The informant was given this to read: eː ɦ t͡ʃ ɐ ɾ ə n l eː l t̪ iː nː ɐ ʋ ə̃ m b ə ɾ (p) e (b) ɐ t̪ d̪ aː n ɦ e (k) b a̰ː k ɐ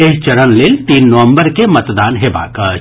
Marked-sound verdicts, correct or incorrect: incorrect, incorrect, incorrect

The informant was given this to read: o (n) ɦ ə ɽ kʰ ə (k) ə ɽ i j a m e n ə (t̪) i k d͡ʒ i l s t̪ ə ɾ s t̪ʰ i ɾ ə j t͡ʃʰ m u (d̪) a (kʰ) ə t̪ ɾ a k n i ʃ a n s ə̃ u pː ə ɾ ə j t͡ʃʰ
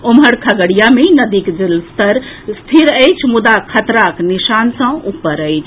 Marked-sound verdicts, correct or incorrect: incorrect, incorrect, incorrect, correct, correct

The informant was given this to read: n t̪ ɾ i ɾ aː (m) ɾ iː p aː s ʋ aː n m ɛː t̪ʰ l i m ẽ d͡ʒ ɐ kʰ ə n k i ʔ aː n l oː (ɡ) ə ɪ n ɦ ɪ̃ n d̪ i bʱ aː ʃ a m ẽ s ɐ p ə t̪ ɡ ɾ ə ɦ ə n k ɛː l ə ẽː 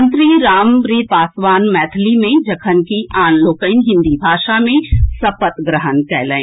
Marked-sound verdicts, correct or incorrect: correct, incorrect

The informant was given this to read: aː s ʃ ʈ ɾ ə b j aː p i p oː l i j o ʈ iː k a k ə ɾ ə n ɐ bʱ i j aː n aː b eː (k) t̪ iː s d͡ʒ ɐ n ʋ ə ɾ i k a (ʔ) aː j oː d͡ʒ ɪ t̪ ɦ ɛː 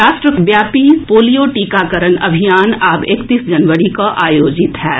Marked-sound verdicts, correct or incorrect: correct, correct

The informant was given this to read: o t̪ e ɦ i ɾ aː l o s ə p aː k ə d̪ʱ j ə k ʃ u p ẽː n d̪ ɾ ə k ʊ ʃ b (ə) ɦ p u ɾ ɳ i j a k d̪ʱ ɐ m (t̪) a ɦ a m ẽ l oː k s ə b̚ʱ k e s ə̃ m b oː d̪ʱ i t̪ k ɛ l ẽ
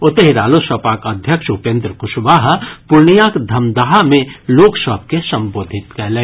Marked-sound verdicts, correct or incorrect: incorrect, incorrect

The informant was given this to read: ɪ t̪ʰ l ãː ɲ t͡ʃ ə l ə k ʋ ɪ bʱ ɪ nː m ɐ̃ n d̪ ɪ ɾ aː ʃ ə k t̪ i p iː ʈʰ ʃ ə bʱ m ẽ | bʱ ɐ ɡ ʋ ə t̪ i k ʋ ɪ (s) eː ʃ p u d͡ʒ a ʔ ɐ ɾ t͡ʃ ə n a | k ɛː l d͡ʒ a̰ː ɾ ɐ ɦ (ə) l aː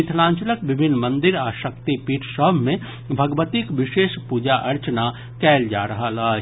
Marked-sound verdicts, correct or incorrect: incorrect, incorrect

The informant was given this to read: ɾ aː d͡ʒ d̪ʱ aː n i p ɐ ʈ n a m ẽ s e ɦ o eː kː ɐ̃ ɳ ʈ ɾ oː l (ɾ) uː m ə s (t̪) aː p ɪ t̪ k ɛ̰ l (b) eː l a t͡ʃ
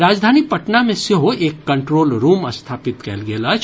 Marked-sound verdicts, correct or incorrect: correct, incorrect, incorrect

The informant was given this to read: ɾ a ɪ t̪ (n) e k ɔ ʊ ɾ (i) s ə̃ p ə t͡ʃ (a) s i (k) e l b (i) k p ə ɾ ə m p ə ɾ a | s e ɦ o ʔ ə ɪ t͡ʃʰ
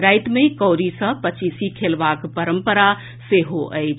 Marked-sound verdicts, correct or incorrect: incorrect, correct, incorrect, incorrect, incorrect

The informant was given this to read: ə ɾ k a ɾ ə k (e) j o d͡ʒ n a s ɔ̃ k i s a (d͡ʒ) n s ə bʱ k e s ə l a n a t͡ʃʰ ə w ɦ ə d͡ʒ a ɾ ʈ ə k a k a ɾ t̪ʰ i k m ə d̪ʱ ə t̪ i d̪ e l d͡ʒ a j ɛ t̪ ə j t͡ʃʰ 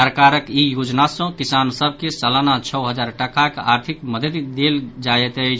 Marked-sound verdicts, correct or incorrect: incorrect, incorrect

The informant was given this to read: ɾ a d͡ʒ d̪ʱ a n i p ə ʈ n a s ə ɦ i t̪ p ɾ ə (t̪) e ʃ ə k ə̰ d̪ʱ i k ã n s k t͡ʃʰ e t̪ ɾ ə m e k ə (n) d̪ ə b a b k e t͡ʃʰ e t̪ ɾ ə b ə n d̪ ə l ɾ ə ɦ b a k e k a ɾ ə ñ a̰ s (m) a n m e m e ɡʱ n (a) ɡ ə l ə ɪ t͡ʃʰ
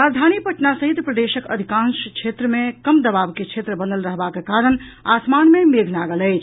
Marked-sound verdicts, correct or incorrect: incorrect, incorrect, correct, correct

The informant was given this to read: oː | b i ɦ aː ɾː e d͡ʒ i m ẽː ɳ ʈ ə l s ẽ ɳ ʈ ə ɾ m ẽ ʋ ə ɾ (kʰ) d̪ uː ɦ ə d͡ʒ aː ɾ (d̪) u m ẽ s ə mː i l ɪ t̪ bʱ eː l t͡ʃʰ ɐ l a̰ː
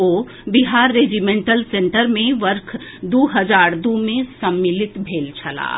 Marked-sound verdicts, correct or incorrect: correct, correct

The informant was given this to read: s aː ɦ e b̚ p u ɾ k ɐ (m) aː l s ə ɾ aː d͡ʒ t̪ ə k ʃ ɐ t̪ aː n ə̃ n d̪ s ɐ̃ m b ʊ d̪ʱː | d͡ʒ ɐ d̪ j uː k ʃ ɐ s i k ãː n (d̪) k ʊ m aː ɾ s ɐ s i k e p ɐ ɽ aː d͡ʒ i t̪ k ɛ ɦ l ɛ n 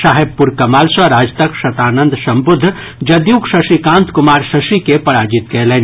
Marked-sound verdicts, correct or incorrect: correct, incorrect

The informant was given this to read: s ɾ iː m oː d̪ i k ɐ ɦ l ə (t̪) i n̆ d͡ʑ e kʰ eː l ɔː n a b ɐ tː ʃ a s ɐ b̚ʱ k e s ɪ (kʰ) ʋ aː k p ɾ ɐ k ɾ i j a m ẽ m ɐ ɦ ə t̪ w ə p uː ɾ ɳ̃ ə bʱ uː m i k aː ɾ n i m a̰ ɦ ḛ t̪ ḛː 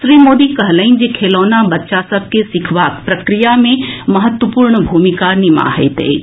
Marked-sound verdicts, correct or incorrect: incorrect, correct

